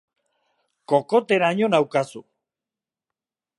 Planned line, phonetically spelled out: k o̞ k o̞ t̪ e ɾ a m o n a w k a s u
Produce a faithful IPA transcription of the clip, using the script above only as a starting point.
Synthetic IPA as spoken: k o̞ k o̞ t̪ e ɾ a ɲ o n a w k a s u